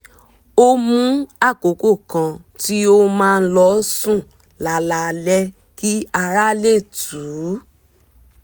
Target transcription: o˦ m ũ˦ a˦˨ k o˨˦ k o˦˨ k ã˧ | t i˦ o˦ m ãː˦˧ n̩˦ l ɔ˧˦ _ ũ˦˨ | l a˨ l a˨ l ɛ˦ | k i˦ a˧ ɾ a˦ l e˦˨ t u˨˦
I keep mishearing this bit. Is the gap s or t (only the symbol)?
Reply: s